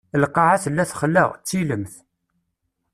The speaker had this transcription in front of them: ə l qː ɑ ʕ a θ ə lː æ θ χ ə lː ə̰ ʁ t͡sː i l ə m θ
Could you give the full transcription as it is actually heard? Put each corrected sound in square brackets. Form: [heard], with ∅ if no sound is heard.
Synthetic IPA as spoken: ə l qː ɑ ʕ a θ ə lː æ θ χ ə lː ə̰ ʁ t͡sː i l ə m θ